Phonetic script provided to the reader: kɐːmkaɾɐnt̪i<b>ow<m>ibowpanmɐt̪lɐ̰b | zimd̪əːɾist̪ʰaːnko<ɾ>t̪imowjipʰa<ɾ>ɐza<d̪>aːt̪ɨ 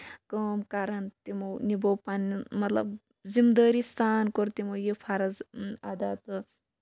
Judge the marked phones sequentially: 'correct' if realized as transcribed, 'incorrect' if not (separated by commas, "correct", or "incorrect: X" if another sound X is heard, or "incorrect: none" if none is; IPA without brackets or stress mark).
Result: incorrect: m, incorrect: n, correct, correct, correct